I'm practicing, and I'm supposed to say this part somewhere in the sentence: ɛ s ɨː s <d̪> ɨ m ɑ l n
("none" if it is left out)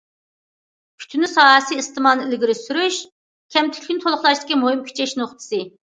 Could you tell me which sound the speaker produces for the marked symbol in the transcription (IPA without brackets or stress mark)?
t̪